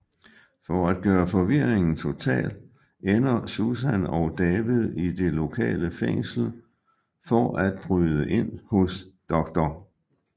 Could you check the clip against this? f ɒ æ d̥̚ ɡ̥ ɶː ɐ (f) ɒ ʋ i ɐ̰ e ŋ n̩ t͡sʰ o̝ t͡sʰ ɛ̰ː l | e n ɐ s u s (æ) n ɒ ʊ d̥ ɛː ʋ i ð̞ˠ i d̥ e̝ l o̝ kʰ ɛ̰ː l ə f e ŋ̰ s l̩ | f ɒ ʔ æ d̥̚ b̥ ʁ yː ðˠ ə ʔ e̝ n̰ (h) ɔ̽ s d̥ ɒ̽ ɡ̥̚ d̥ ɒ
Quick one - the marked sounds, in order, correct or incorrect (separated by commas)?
correct, correct, correct